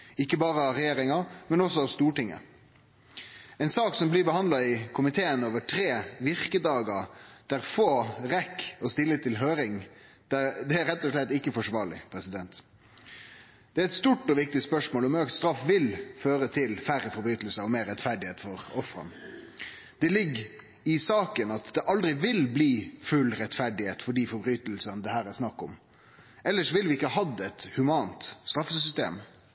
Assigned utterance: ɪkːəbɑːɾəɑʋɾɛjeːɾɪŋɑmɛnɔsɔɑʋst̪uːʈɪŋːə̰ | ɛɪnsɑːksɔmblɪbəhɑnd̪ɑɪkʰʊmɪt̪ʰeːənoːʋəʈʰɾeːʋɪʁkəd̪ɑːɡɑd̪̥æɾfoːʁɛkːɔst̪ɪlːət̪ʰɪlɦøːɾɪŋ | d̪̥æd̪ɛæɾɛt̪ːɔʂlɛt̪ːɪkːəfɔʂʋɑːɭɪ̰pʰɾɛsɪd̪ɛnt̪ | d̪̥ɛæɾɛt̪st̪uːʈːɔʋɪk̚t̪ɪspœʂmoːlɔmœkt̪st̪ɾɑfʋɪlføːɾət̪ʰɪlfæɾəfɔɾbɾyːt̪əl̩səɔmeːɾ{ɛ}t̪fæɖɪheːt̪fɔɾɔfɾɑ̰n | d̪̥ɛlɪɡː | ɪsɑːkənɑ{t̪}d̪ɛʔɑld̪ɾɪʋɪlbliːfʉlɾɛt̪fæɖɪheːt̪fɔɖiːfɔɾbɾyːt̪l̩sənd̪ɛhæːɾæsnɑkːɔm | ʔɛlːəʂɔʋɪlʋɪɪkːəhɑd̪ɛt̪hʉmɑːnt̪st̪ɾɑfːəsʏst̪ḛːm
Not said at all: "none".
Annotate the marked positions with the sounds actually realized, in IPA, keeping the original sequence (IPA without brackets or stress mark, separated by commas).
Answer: ɛ, t̪